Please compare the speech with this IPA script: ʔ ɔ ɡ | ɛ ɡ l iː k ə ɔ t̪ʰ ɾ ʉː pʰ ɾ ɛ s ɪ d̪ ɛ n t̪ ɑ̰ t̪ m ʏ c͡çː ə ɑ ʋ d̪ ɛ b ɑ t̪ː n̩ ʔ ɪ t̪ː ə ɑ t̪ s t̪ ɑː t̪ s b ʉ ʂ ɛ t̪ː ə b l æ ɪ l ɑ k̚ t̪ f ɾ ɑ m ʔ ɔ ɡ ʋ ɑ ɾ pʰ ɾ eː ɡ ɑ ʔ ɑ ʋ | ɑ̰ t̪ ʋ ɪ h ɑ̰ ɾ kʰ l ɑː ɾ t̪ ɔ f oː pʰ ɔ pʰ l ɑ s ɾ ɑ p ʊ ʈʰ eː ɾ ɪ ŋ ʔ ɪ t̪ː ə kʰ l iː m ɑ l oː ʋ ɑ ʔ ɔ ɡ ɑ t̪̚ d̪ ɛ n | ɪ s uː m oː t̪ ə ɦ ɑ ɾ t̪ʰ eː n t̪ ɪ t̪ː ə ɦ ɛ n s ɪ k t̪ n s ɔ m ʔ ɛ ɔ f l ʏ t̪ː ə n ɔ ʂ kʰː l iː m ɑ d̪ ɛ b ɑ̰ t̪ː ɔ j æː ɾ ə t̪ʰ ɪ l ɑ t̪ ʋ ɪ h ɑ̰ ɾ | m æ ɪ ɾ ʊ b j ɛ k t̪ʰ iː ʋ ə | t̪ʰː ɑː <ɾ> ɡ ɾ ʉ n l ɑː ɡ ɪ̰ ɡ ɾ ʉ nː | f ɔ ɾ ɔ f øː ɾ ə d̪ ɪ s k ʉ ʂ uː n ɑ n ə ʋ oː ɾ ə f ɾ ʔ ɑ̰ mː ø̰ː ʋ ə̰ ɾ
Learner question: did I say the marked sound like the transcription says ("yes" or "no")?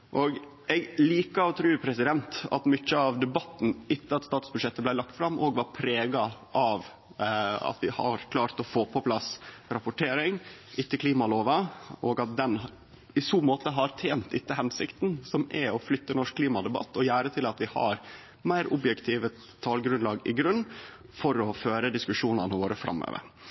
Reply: no